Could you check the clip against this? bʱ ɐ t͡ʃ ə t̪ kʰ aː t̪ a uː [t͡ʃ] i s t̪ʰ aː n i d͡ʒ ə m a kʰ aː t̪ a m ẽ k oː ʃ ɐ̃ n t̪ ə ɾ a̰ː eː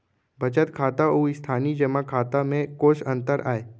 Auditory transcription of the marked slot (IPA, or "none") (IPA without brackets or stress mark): none